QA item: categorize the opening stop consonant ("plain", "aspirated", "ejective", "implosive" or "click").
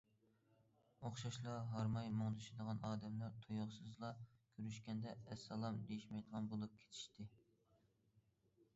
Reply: plain